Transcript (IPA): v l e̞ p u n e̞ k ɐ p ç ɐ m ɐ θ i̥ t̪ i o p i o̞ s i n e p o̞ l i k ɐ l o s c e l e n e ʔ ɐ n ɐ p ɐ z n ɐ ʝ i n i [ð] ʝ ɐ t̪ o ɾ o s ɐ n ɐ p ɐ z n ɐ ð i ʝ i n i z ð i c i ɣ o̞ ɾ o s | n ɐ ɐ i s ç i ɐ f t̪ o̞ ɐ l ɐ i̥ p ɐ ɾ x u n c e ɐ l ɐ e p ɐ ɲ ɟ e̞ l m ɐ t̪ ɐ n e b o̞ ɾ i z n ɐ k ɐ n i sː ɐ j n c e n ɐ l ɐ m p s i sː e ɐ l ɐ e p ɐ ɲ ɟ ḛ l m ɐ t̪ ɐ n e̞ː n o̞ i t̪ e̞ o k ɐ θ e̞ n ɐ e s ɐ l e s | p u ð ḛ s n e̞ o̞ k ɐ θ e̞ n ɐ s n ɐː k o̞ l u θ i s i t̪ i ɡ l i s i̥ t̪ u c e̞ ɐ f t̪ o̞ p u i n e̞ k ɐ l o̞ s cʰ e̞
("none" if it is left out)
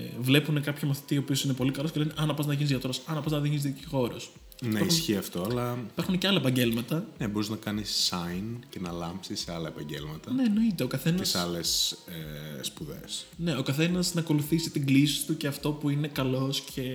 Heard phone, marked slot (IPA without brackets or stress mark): z